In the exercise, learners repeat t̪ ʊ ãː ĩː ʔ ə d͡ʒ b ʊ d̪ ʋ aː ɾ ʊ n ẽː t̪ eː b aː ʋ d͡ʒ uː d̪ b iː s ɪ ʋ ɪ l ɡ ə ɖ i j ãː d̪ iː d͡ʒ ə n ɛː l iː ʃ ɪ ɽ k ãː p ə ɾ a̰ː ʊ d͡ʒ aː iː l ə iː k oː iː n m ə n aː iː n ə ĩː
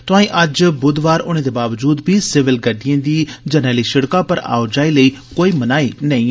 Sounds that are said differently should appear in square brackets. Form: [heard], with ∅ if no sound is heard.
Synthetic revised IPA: t̪ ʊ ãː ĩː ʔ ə d͡ʒ b ʊ d̪ ʋ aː ɾ ʊ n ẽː [d̪] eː b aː ʋ d͡ʒ uː d̪ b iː s ɪ ʋ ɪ l ɡ ə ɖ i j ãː d̪ iː d͡ʒ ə n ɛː l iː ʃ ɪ ɽ k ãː p ə ɾ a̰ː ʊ d͡ʒ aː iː l ə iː k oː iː [∅] m ə n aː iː n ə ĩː